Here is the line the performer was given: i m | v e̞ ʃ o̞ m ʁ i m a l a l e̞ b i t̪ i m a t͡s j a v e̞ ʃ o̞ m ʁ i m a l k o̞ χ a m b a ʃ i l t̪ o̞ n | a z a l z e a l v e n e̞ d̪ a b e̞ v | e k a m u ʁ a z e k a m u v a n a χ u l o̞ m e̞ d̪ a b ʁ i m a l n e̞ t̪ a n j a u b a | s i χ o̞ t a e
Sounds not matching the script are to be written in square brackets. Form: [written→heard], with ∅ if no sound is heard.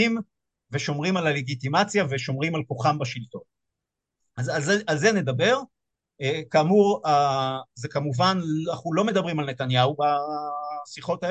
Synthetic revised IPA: i m | v e̞ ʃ o̞ m ʁ i m a l a l e̞ [b→ɡ] i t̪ i m a t͡s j a v e̞ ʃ o̞ m ʁ i m a l k o̞ χ a m b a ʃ i l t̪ o̞ n | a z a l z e a l [v→z] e n e̞ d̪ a b e̞ [v→ʁ] | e k a m u ʁ a z e k a m u v a n a χ u l o̞ m e̞ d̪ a b ʁ i m a l n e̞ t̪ a n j a u b a | s i χ o̞ t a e